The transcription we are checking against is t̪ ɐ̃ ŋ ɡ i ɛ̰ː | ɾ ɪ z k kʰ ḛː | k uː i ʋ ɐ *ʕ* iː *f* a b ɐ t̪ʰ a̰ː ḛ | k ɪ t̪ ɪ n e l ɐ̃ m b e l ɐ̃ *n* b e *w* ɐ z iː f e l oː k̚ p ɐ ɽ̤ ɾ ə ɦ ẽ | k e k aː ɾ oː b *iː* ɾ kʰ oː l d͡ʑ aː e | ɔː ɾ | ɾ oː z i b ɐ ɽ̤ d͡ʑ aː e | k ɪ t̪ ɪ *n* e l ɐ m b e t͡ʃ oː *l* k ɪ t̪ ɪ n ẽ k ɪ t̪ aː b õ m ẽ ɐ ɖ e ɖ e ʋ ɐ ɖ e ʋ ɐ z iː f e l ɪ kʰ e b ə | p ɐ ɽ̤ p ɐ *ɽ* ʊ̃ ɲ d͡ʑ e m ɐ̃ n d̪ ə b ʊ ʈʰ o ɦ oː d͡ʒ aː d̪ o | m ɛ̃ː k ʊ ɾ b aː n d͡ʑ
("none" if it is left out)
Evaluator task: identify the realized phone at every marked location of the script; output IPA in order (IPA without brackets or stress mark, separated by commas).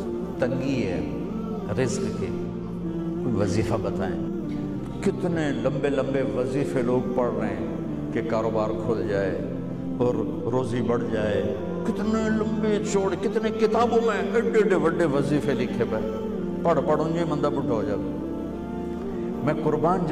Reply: z, f, m, ʋ, aː, n, ɽ, ɽ